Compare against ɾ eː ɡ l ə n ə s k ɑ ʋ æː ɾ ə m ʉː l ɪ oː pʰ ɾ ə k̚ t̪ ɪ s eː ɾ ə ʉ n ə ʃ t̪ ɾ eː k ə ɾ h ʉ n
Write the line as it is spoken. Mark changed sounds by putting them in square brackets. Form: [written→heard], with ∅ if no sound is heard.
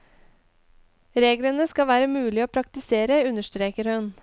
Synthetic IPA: ɾ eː ɡ l ə n ə s k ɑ ʋ æː ɾ ə m ʉː l ɪ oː pʰ ɾ [ə→ɑ] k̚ t̪ ɪ s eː ɾ ə ʉ n ə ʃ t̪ ɾ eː k ə ɾ h ʉ n